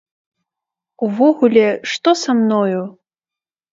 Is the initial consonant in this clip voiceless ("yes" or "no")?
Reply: no